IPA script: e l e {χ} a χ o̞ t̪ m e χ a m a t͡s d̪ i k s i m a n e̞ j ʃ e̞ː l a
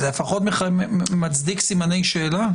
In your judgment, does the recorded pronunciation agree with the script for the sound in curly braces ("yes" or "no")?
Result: no